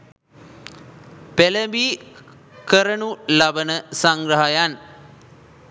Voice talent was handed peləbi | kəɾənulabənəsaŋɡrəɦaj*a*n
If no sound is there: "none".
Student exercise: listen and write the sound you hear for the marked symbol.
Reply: a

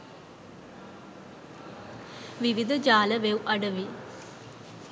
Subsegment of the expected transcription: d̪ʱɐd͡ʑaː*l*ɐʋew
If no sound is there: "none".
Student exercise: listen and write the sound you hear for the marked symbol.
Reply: l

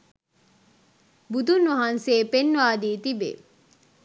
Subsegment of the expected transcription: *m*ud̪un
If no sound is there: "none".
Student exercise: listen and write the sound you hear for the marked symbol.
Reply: b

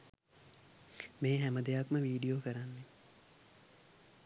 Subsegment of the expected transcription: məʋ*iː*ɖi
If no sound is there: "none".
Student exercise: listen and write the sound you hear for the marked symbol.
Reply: iː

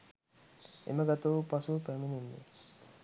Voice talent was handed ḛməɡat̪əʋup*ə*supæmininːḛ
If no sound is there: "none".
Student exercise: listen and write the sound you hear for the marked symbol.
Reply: a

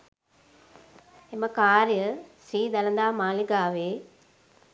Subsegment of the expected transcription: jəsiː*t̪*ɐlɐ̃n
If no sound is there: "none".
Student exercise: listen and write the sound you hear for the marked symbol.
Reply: d̪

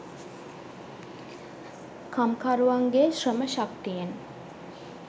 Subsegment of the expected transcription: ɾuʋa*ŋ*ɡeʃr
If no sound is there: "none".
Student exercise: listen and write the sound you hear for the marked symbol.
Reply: ŋ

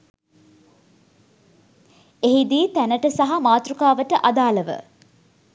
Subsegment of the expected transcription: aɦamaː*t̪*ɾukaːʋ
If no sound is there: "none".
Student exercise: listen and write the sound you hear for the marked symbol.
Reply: t̪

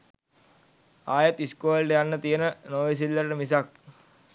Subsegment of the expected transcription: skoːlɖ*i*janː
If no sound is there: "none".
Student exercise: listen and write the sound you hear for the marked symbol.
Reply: e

